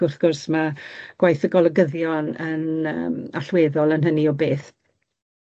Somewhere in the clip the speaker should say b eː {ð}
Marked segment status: incorrect: θ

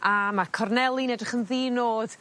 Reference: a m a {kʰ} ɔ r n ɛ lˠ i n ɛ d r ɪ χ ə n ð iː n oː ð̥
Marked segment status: correct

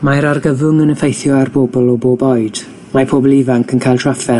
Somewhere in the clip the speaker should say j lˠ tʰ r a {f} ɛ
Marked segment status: correct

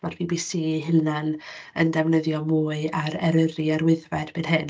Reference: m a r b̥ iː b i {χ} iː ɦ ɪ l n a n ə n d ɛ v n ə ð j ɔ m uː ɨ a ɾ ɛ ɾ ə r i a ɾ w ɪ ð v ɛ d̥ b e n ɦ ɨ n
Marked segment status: incorrect: s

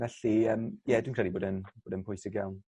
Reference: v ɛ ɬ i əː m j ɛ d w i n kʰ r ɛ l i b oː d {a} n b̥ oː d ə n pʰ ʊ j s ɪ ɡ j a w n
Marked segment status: incorrect: ə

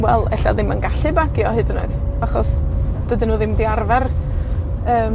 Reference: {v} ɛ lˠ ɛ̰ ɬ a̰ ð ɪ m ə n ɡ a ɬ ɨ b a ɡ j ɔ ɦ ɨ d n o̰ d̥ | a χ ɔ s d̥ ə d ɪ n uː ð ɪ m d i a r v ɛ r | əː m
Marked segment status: incorrect: w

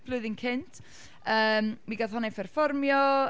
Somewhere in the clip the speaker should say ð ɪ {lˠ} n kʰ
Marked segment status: incorrect: none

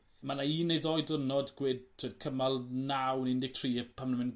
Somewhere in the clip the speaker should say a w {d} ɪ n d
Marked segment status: incorrect: n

